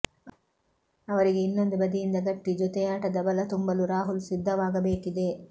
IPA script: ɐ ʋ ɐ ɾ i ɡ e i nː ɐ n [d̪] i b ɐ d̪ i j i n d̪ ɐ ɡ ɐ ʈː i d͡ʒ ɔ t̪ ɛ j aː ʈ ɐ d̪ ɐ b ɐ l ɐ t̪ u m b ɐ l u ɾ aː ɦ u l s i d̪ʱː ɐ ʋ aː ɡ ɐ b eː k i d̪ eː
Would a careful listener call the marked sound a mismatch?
no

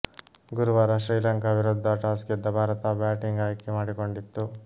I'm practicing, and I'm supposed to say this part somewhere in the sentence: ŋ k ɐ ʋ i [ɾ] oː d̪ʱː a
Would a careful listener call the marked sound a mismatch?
no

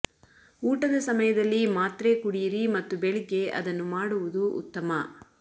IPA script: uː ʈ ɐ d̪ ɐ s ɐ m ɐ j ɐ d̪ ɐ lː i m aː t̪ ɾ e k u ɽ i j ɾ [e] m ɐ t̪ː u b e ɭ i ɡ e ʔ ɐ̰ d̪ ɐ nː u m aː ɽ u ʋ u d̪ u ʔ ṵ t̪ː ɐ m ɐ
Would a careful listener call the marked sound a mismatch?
yes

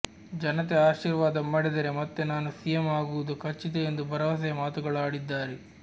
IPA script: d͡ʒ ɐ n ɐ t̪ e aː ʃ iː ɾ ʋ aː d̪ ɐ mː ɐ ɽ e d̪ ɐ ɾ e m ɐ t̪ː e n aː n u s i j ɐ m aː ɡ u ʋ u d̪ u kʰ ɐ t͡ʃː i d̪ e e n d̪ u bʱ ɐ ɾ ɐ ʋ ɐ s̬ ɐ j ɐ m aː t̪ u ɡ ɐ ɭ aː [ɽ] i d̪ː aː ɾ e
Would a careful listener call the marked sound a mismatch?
no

